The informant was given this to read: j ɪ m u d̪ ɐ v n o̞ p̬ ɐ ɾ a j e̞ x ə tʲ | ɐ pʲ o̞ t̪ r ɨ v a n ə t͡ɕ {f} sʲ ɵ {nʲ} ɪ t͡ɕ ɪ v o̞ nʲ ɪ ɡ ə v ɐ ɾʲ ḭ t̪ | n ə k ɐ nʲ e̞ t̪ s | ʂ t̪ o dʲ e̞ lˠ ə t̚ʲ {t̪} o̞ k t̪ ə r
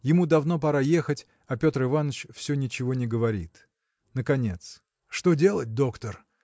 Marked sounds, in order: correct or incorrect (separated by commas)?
correct, correct, incorrect